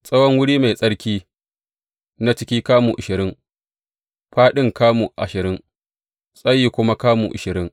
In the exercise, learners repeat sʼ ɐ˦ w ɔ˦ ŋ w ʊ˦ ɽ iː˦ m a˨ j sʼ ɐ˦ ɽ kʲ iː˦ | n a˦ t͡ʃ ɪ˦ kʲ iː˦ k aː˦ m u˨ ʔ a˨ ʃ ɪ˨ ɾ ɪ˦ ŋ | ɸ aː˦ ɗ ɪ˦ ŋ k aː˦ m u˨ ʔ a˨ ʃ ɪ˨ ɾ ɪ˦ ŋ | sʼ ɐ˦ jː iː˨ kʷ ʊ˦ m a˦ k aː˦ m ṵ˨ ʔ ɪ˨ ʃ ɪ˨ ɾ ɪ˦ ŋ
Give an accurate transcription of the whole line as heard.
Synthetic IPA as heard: sʼ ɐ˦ w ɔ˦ ŋ w ʊ˦ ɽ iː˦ m a˨ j sʼ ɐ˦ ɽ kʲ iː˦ | n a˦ t͡ʃ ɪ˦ kʲ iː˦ k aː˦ m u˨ ʔ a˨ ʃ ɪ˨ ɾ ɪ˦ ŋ | ɸ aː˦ ɗ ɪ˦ ŋ k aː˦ m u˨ ʔ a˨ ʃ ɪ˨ ɾ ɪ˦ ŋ | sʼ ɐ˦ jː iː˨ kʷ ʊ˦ m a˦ k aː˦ m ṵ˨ ʔ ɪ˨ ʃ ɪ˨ ɾ ɪ˦ ŋ

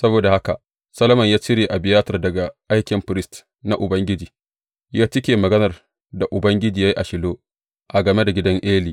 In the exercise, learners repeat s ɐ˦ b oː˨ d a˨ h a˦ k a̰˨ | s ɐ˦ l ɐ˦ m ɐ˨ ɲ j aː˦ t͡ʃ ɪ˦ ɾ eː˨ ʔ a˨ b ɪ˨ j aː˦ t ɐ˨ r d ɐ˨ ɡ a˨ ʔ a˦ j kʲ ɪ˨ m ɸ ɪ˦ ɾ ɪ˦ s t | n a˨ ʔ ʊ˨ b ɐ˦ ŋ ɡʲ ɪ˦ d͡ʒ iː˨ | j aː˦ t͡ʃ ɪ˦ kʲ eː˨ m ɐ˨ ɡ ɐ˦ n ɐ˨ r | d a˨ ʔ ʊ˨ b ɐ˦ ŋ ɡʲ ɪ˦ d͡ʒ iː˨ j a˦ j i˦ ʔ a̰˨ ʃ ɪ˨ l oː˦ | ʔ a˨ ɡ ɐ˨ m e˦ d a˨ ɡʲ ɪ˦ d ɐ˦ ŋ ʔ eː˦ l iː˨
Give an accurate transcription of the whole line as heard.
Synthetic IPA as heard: s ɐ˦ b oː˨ d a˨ h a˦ k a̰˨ | s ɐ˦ l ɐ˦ m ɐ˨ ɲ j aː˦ t͡ʃ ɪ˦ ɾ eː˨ ʔ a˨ b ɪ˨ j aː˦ t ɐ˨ r d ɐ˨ ɡ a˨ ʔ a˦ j kʲ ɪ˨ m ɸ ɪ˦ ɾ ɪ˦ s t | n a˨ ʔ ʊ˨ b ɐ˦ ŋ ɡʲ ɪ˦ d͡ʒ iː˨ | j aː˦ t͡ʃ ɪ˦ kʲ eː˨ m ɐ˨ ɡ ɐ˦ n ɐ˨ r | d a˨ ʔ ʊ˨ b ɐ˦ ŋ ɡʲ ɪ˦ d͡ʒ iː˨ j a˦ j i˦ ʔ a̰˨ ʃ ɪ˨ l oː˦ | ʔ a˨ ɡ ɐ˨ m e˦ d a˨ ɡʲ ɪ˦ d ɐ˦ ŋ ʔ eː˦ l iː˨

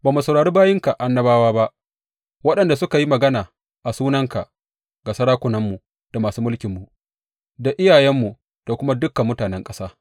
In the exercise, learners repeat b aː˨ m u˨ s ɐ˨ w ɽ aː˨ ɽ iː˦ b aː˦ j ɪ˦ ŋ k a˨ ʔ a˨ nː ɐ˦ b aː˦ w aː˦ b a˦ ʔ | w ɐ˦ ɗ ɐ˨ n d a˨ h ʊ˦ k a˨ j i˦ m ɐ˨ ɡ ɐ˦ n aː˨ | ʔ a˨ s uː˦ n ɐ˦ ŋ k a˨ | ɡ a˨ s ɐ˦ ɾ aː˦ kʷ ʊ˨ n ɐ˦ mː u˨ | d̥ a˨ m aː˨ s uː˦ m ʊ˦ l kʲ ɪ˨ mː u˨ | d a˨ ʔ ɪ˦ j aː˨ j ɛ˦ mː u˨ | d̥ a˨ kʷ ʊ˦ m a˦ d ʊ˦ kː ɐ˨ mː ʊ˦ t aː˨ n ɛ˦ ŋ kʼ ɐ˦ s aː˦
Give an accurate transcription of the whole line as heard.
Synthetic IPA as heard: b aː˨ m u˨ s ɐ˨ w ɽ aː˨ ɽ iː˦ b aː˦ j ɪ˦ ŋ k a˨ ʔ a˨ nː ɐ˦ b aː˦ w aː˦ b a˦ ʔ | w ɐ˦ ɗ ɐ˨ n d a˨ s ʊ˦ k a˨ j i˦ m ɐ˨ ɡ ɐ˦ n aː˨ | ʔ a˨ s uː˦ n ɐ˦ ŋ k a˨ | ɡ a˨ s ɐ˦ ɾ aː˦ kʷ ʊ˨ n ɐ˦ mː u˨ | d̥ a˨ m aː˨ s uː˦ m ʊ˦ l kʲ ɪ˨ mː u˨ | d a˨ ʔ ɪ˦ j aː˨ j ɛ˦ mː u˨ | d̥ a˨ kʷ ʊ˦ m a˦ d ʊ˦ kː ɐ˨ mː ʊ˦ t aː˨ n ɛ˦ ŋ kʼ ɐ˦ s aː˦

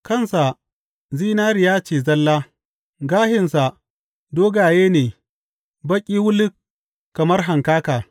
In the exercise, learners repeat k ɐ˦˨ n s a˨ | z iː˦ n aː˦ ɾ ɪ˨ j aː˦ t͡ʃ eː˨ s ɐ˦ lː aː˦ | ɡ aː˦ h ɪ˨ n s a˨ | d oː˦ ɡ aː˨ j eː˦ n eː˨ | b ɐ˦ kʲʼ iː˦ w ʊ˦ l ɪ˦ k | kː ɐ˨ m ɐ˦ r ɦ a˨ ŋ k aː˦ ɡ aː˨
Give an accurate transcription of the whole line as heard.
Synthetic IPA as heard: k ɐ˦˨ n s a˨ | z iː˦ n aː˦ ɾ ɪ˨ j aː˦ t͡ʃ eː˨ z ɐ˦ lː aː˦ | ɡ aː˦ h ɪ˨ n s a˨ | d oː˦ ɡ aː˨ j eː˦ n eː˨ | b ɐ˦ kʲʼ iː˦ w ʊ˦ l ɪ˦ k | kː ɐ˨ m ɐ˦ r ɦ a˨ ŋ k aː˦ k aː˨

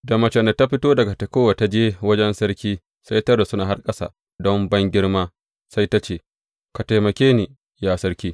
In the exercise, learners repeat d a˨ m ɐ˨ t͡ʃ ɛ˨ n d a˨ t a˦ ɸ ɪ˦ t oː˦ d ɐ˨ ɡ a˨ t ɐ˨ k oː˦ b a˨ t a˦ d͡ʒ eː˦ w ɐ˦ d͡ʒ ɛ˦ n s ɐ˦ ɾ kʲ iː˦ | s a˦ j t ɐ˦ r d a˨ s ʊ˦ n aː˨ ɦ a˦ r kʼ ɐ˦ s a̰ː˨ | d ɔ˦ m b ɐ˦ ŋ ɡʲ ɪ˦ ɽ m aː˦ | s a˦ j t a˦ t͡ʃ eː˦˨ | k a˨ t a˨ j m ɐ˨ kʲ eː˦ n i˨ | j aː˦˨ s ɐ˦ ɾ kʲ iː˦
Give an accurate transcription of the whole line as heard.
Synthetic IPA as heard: d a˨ m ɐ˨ t͡ʃ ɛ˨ n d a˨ t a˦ ɸ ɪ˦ t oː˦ d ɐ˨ ɡ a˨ t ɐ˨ k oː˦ w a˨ t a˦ d͡ʒ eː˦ w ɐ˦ d͡ʒ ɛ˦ n s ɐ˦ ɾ kʲ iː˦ | s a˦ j t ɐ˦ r d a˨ s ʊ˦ n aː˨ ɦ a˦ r kʼ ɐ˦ s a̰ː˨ | d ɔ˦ m b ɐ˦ ŋ ɡʲ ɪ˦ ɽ m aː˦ | s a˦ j t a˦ t͡ʃ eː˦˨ | k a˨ t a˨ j m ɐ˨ kʲ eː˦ n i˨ | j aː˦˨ s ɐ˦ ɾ kʲ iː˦

